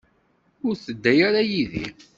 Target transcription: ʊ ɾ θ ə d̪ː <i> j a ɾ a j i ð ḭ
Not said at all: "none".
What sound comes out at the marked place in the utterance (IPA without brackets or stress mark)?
æ